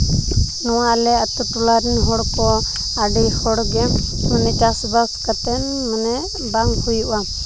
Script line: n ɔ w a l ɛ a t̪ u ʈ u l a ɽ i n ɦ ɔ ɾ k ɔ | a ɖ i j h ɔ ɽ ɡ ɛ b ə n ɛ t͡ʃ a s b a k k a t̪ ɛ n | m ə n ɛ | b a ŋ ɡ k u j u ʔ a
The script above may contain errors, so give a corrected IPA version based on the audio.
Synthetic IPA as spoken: n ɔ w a l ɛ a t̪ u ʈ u l a ɾ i n ɦ ɔ ɽ k ɔ | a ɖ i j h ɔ ɽ ɡ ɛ m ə n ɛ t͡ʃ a s b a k k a t̪ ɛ n | m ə n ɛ | b a ŋ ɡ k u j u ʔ a